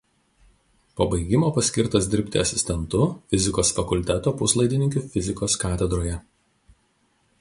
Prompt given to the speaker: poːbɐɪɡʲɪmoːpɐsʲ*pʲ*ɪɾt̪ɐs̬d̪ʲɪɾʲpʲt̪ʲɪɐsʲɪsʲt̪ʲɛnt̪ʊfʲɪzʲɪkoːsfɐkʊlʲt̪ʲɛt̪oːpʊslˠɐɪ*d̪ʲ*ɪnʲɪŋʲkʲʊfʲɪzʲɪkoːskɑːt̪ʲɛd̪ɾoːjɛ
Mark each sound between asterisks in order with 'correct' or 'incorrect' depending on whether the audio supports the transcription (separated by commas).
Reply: incorrect, correct